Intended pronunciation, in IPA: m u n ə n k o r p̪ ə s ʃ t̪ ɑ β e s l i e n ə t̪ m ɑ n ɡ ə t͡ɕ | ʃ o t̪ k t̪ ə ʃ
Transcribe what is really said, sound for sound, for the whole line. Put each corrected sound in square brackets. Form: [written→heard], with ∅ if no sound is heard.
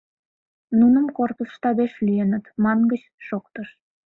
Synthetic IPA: [m→n] u n ə [n→m] k o r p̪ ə s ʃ t̪ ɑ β e [s→ʃ] l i e n ə t̪ m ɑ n ɡ ə t͡ɕ | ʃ o [t̪→∅] k t̪ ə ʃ